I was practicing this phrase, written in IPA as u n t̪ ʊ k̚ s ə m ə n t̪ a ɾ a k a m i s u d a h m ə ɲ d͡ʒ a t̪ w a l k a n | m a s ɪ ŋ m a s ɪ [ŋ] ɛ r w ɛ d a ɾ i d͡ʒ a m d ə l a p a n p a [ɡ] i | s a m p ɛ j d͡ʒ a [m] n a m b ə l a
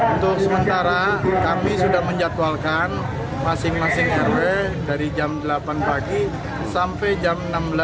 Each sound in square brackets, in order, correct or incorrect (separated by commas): correct, correct, correct